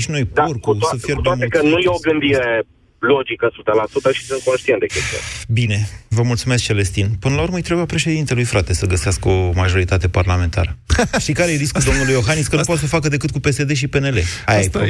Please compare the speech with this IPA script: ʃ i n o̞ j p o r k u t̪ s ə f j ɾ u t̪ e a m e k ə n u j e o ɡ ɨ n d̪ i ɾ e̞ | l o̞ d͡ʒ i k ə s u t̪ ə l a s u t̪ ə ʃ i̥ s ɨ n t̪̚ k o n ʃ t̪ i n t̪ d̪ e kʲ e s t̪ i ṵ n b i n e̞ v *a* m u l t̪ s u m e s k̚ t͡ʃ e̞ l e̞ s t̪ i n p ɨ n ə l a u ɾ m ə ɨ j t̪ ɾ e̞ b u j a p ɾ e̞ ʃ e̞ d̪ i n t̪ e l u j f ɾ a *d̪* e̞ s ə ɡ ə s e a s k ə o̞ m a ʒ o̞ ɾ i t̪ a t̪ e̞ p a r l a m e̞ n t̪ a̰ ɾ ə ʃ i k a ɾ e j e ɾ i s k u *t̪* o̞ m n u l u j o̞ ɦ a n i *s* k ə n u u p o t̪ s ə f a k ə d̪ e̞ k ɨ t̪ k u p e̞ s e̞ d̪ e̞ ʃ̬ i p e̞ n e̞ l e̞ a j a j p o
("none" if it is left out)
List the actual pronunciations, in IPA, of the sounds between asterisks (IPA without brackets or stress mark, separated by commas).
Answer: ə, t̪, d̪, s